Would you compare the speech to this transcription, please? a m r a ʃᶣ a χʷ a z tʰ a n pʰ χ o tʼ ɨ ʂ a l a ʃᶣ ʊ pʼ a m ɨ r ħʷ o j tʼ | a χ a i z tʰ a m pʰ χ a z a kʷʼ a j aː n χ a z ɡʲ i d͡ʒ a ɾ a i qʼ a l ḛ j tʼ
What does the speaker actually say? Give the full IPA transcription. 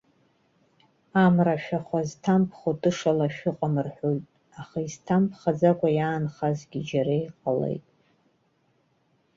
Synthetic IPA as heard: a m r a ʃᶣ a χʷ a z tʰ a m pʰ χ o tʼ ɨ ʂ a l a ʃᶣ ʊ qʼ a m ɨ r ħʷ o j tʼ | a χ a i z tʰ a m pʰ χ a d͡z a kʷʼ a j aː n χ a z ɡʲ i d͡ʒ a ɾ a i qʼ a l ḛ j tʼ